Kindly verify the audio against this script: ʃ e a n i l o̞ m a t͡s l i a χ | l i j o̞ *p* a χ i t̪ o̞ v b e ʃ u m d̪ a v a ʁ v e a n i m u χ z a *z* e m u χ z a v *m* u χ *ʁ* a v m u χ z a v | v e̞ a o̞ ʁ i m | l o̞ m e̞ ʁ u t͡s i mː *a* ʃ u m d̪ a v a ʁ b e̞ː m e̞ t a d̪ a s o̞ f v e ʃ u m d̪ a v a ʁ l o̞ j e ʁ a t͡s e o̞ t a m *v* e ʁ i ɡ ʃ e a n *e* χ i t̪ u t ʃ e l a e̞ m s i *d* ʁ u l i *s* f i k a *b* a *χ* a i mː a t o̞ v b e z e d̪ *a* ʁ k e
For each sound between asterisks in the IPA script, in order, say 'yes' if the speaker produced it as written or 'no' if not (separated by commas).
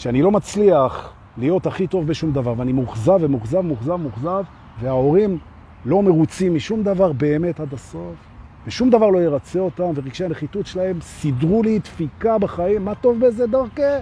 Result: no, no, yes, no, no, yes, yes, yes, no, yes, yes, yes